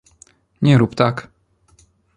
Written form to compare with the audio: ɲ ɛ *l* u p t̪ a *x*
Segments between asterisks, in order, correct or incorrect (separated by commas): incorrect, incorrect